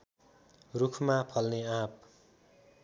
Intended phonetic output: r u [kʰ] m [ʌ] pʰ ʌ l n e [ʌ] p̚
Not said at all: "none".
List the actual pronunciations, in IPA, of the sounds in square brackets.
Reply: kʰ, a, a

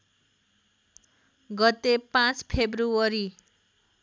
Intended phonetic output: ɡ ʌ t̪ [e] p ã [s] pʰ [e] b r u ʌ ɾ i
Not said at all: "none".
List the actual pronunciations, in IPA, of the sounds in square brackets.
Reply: e, t͡s, e

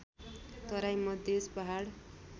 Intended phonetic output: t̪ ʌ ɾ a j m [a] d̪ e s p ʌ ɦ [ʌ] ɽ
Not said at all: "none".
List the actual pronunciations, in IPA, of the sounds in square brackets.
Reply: ʌ, a

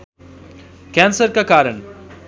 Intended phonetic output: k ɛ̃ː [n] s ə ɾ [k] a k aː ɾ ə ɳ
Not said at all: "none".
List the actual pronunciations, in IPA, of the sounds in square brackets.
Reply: n, k

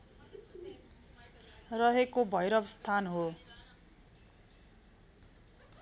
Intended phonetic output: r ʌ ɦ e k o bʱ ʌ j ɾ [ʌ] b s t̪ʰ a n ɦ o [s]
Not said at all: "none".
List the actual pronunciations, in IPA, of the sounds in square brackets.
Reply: ʌ, none

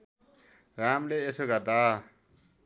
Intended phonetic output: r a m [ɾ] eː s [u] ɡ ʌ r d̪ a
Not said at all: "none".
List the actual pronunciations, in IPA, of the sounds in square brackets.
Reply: l, o

